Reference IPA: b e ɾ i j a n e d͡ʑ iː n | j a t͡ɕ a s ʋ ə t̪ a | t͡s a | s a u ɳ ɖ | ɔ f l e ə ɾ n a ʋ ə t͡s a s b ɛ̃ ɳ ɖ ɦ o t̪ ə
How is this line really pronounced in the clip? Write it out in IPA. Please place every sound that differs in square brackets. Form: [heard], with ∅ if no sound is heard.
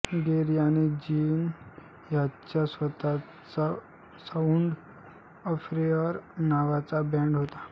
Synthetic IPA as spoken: [ɡ] e ɾ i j a n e d͡ʑ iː n | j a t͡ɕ a s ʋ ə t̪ a | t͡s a | s a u ɳ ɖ | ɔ f [ɾ] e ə ɾ n a ʋ [a] t͡s a [∅] b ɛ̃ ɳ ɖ ɦ o t̪ [a]